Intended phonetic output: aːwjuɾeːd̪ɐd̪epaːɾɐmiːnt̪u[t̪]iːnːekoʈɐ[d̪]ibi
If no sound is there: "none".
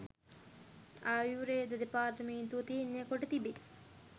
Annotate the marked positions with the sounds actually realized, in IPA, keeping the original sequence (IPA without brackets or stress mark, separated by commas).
t̪, t̪